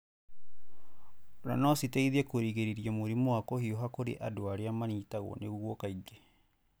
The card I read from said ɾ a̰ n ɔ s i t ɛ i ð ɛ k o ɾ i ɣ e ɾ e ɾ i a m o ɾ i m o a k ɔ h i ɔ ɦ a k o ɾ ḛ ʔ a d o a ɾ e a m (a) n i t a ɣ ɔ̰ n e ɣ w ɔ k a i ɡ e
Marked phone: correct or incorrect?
correct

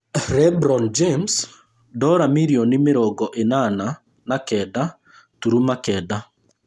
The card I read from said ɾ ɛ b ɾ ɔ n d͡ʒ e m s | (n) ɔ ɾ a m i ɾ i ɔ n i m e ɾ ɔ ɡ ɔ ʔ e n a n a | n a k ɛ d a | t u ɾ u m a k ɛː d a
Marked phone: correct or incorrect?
incorrect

